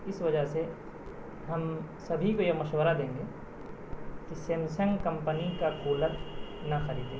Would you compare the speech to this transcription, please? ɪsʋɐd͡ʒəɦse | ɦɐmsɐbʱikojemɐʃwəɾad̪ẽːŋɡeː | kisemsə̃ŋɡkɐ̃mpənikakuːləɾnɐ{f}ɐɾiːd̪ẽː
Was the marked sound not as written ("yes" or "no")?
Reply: yes